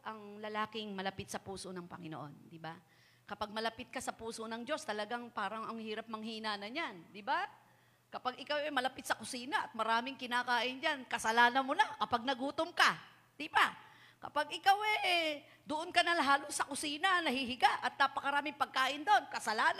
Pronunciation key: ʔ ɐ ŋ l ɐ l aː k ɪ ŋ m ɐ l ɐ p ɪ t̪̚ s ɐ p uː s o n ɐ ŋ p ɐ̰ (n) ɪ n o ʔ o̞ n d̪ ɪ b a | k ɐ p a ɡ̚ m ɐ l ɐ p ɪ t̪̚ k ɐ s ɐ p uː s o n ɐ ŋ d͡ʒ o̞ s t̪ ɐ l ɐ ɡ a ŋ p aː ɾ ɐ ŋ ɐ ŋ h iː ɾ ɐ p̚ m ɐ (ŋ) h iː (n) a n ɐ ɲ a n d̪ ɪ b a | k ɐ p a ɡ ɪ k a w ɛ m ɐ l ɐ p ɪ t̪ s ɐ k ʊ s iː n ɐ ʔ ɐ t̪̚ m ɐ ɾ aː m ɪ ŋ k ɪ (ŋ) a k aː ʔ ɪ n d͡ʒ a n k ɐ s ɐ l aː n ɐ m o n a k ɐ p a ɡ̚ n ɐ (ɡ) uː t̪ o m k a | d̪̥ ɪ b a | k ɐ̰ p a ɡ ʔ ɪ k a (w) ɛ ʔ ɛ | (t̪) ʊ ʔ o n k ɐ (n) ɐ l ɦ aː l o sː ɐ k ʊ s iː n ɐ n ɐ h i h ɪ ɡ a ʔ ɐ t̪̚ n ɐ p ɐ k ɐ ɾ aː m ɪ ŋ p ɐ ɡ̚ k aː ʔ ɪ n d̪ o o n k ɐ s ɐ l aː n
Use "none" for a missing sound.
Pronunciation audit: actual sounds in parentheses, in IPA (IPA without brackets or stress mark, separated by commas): ŋ, ŋ, n, n, ɡ, w, d̪, n